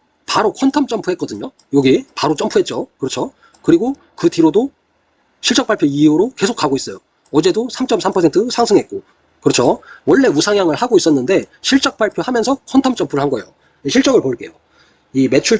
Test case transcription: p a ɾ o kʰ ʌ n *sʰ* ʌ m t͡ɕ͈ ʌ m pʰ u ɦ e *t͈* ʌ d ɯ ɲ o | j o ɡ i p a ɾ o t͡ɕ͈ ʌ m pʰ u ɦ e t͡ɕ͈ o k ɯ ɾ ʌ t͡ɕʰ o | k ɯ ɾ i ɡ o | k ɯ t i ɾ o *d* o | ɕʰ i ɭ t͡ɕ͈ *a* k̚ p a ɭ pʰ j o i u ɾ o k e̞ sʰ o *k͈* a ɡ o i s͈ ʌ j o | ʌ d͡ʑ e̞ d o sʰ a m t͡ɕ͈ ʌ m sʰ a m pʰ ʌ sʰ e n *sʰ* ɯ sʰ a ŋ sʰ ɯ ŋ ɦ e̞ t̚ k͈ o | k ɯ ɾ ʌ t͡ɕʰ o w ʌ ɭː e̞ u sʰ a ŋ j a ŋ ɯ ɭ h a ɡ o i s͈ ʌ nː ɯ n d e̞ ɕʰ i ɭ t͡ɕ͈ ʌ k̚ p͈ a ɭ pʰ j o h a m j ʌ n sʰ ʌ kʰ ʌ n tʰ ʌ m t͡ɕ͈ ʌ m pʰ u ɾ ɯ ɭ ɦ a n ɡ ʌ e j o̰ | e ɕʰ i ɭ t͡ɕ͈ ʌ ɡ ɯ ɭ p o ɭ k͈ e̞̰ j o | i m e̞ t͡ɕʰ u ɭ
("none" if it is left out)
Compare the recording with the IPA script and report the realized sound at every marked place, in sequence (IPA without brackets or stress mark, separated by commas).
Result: tʰ, k͈, d, ʌ, k͈, tʰ